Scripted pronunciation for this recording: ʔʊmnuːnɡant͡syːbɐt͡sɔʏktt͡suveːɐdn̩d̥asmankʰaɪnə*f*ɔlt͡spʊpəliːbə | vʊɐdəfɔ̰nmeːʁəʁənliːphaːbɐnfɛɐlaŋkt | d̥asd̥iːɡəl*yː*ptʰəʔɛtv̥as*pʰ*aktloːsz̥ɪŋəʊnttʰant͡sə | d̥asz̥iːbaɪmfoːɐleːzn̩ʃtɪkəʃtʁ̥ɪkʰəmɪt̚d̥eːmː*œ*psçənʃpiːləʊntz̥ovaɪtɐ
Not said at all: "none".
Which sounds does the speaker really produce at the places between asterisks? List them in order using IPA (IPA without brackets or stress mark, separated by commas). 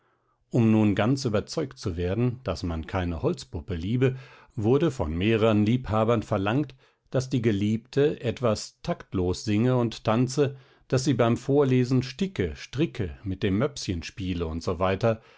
h, iː, tʰ, œ